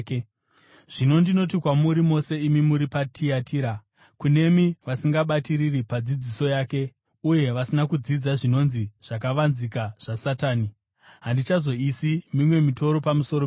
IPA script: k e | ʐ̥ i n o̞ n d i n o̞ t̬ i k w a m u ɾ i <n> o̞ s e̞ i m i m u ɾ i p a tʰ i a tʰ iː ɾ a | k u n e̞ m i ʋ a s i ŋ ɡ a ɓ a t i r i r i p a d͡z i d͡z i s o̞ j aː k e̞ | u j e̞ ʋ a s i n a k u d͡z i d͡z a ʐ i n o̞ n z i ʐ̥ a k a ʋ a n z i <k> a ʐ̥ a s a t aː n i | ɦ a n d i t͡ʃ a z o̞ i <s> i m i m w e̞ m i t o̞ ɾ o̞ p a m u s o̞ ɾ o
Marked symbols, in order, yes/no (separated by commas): no, yes, yes